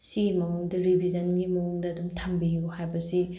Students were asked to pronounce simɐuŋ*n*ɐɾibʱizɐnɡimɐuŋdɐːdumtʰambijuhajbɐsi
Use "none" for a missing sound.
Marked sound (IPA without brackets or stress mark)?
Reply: d